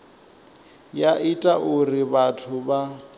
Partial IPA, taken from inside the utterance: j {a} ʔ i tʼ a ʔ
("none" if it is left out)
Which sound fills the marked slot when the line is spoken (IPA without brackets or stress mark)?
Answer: a